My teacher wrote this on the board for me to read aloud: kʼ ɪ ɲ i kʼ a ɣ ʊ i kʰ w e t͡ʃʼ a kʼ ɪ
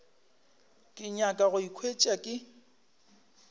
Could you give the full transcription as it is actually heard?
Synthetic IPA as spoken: kʼ ɪ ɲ a kʼ a ɣ ʊ i kʰ w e t͡ʃʼ a kʼ ɪ